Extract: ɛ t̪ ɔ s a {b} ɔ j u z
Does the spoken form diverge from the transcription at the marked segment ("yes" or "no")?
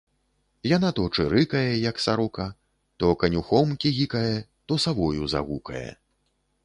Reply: yes